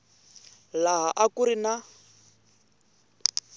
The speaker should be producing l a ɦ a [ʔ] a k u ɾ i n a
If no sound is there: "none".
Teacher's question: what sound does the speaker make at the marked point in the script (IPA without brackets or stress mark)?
ʔ